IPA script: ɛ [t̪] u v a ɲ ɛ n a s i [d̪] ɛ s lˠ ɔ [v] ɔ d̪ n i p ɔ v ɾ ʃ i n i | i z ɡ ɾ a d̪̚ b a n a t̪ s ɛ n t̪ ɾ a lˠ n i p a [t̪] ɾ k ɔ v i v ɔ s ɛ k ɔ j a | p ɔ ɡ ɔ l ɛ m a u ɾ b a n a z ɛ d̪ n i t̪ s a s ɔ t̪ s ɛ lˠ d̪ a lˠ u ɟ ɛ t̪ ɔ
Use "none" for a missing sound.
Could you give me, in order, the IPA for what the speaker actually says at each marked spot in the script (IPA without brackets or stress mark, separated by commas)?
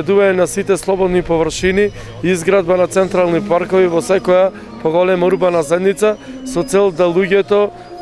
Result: d̪, t̪, b, none